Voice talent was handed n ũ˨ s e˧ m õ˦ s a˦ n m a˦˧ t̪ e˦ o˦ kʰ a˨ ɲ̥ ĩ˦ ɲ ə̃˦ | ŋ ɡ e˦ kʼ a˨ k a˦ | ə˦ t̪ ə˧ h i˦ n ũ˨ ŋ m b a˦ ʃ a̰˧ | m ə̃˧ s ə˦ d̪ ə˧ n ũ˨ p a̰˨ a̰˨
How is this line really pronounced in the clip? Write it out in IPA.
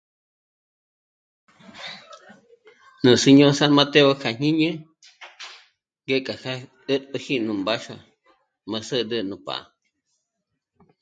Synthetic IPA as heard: n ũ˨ s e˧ ɲ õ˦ s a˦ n m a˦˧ t̪ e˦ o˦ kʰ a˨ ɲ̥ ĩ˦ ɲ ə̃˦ | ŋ ɡ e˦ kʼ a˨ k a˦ | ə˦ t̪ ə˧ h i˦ n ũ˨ m b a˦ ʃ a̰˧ | m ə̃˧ s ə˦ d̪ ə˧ n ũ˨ p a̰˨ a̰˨